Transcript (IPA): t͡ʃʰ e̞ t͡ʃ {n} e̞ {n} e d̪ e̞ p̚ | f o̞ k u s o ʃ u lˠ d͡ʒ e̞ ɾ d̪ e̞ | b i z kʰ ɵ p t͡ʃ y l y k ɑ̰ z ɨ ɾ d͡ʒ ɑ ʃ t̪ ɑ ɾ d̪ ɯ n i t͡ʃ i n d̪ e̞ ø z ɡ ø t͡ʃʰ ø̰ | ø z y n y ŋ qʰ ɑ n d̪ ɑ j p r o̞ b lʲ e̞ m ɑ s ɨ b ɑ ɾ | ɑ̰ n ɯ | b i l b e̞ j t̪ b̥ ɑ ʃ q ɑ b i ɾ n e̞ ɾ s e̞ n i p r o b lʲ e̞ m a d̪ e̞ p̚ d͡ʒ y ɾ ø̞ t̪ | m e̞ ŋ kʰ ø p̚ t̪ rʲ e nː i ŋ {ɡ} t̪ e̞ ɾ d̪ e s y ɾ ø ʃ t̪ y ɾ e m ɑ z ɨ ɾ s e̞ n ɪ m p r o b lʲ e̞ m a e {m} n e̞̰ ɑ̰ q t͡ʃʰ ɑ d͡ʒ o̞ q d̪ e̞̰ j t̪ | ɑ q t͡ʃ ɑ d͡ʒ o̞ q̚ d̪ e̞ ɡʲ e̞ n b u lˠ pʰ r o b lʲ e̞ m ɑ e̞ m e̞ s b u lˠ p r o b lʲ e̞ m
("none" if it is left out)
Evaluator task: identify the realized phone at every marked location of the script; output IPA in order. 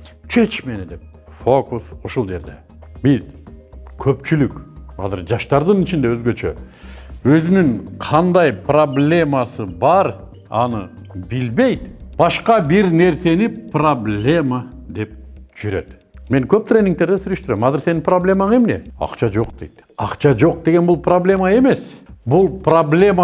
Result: m, n, k, m

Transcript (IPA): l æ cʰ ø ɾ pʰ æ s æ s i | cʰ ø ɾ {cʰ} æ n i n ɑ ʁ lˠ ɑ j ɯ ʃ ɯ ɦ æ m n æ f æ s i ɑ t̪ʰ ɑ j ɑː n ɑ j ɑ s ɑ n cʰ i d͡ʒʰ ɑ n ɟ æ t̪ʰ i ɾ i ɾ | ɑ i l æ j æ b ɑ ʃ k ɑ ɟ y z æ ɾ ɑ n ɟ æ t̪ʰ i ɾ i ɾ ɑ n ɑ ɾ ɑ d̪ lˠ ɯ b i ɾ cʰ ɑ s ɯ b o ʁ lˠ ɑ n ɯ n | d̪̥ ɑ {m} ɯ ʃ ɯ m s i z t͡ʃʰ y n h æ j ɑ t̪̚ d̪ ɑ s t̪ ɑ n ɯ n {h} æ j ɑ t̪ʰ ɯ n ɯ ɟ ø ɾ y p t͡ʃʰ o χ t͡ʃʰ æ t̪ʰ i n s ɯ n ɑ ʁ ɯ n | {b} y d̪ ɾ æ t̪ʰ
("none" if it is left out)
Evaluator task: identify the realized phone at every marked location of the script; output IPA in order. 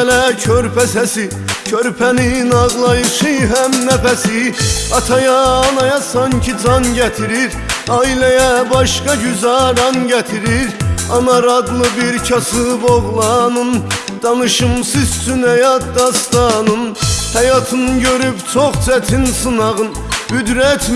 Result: pʰ, n, h, b

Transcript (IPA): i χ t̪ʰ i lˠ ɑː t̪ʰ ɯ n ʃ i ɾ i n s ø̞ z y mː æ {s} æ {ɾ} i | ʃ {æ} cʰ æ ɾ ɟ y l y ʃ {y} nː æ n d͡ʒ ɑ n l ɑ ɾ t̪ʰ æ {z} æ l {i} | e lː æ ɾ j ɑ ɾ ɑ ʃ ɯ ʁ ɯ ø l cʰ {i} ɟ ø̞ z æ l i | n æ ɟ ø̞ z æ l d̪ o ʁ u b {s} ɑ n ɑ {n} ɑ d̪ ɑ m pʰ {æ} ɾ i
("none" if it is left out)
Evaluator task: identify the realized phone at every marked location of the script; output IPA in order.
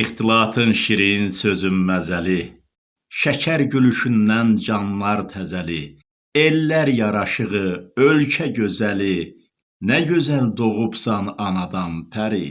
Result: z, l, æ, y, z, i, æ, s, n, æ

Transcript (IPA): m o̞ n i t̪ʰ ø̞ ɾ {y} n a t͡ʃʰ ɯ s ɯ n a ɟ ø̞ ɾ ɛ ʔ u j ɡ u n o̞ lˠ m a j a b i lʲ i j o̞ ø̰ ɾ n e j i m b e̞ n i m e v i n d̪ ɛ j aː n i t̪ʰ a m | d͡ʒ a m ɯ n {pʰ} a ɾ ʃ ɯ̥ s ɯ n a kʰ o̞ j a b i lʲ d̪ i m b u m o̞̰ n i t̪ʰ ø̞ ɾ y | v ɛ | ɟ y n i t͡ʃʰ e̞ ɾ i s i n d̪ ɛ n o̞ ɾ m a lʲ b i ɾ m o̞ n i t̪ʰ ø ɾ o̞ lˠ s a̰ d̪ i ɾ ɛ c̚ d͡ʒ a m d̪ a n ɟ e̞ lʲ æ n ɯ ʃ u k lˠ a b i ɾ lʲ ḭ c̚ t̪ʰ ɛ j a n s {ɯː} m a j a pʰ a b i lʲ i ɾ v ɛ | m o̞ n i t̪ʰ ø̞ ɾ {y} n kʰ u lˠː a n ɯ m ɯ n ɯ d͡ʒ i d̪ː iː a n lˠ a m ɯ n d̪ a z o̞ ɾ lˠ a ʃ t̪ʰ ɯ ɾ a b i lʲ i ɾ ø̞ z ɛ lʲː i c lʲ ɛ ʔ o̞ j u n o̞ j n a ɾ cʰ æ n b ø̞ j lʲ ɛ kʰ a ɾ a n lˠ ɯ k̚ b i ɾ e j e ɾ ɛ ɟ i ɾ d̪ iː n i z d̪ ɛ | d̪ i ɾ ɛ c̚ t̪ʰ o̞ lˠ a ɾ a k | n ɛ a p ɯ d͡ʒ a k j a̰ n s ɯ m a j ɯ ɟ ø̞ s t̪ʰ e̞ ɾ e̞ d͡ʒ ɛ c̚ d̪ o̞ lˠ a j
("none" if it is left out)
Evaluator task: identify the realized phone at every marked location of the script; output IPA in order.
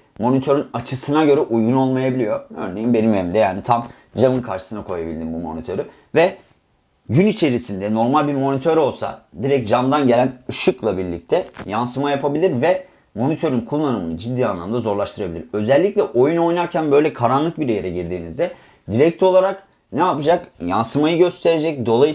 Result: y, kʰ, ɯ, y

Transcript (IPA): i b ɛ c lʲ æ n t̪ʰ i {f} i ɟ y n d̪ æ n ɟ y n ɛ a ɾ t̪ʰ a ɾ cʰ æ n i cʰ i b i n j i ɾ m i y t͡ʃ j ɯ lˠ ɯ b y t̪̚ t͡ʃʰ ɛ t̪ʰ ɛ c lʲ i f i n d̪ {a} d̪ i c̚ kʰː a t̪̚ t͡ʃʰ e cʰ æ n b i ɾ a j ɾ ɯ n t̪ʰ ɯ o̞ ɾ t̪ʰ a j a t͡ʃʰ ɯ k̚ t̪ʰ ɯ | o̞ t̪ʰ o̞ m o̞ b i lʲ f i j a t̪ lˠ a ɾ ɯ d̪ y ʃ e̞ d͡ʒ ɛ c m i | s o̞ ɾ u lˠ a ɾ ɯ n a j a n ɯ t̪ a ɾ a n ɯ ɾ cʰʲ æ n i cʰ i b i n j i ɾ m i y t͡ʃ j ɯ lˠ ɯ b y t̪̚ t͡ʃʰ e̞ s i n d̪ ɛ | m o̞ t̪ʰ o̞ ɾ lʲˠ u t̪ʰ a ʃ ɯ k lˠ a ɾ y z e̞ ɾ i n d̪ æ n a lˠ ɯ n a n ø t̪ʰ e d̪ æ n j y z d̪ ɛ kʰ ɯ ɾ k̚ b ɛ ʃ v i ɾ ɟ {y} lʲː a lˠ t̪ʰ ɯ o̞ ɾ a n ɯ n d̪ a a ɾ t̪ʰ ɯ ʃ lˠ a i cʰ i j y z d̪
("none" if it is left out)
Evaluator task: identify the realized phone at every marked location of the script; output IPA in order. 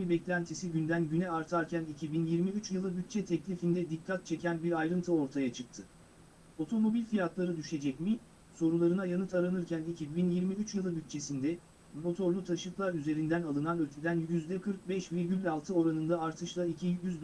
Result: s, ɛ, y

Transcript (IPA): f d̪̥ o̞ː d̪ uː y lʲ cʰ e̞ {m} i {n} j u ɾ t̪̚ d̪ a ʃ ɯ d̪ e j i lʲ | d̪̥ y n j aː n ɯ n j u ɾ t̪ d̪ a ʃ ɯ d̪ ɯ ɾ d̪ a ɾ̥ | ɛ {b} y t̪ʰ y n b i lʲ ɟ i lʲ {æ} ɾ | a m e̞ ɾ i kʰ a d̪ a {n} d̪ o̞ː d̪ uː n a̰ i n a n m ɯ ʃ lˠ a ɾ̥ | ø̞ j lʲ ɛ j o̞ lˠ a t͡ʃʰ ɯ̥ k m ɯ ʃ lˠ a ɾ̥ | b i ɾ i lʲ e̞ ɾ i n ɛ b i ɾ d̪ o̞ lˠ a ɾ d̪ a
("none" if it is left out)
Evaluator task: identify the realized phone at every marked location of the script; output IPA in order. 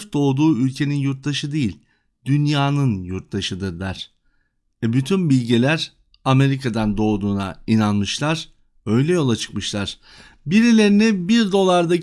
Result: n, n, b, æ, n

